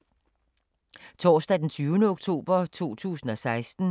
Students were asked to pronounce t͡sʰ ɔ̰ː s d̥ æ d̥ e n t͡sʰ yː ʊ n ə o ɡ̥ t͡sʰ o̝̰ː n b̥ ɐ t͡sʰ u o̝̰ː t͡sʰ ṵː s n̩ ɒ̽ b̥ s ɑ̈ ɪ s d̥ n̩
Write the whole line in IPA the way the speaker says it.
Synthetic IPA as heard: t͡sʰ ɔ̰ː s d̥ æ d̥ e n t͡sʰ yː ʊ n ə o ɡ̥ t͡sʰ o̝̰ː b̥ ɐ t͡sʰ u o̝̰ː t͡sʰ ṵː s n̩ ɒ̽ s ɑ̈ ɪ s d̥ n̩